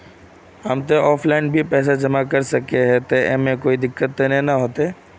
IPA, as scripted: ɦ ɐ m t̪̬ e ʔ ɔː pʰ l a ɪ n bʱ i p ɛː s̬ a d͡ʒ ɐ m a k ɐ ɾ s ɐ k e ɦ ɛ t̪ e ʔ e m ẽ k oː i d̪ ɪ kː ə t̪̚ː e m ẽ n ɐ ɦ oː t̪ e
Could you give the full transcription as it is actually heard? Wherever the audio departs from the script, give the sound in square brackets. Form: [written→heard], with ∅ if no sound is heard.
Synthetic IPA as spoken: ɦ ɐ m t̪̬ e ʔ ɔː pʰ l a ɪ n bʱ i p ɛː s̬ a d͡ʒ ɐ m a k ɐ ɾ s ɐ k e ɦ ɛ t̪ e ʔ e m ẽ k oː i d̪ ɪ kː ə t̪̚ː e [m→n] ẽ n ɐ ɦ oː t̪ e